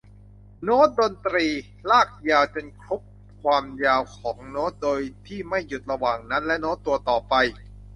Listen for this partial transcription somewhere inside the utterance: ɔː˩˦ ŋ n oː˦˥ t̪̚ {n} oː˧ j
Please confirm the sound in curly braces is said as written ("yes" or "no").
no